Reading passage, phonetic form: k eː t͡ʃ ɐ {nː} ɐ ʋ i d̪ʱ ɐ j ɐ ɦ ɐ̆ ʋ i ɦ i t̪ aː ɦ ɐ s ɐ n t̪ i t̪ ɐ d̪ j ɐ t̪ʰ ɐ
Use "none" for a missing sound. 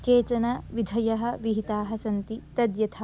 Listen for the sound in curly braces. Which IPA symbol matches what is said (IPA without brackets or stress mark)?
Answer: n